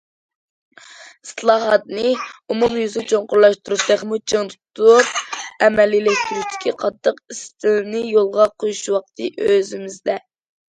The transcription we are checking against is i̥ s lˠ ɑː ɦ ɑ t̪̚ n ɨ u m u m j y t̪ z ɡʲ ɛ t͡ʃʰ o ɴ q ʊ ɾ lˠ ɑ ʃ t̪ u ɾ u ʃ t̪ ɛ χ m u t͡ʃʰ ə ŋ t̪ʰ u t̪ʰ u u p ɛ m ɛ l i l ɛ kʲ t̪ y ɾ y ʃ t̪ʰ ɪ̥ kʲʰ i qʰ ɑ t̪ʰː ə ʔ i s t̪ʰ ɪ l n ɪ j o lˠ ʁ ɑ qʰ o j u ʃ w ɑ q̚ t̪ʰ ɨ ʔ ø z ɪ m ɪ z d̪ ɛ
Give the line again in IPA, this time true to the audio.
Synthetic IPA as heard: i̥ s lˠ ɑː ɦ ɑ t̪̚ n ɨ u m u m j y z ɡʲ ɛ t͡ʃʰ o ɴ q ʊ ɾ lˠ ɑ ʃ t̪ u ɾ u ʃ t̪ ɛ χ m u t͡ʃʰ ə ŋ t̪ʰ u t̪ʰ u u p ɛ m ɛ l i l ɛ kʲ t̪ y ɾ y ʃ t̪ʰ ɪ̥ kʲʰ i qʰ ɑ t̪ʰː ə q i s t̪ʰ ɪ l n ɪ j o lˠ ʁ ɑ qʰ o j u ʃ w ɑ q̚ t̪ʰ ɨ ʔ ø z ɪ m ɪ z d̪ ɛ